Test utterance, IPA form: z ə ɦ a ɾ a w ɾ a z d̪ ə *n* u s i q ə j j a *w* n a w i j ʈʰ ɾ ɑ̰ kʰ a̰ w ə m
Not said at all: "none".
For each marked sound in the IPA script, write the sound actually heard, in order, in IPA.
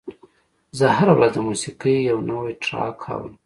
m, w

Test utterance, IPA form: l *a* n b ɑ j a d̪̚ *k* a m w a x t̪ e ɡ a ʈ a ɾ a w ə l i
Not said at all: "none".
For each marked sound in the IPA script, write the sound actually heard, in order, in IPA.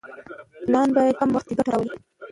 ɑ, k

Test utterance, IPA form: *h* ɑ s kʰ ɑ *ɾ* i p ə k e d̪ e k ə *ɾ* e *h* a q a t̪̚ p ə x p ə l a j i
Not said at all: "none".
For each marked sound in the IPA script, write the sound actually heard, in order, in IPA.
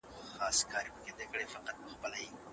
x, ɾ, ɽ, f

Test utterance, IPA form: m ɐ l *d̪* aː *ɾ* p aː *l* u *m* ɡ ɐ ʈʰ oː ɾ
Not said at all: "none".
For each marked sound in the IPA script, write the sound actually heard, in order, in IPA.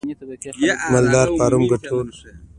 d̪, ɾ, ɾ, m

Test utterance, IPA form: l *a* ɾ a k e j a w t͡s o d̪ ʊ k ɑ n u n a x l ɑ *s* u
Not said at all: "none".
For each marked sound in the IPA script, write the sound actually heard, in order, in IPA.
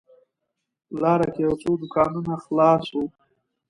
ɑ, s

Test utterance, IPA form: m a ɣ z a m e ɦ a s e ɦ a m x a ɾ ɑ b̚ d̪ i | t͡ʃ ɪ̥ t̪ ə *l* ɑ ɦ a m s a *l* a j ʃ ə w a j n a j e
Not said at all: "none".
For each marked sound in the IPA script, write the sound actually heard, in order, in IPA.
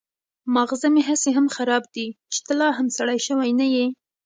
l, ɽ

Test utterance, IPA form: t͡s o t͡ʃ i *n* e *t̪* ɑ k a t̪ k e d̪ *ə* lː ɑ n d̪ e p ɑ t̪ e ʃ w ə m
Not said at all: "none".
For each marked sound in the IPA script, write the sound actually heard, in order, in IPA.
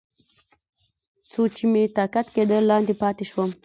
m, t̪, ə

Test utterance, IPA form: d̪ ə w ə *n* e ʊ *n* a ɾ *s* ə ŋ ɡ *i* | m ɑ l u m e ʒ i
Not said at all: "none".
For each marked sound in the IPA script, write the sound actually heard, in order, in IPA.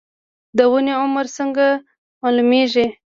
n, m, s, a

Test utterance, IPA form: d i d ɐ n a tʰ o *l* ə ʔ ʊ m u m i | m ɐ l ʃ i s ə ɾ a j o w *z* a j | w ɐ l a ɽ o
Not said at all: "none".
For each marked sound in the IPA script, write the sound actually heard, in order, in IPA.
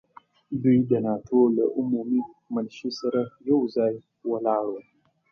l, z

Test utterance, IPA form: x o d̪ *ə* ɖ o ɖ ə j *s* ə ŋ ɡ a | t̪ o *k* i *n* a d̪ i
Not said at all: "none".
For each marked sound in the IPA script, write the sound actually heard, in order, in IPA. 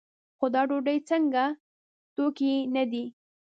ɑ, t͡s, k, n

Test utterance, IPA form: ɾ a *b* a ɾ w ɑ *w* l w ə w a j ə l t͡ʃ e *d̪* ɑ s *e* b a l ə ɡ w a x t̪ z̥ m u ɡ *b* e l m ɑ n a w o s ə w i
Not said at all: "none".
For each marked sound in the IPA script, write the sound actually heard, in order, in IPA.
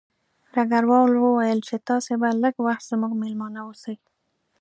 ɡ, w, t̪, e, m

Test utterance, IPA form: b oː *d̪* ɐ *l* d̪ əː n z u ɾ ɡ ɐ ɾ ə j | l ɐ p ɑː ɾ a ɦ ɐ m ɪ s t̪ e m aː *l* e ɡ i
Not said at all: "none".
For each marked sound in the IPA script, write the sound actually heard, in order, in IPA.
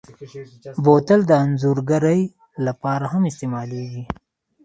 t̪, l, l

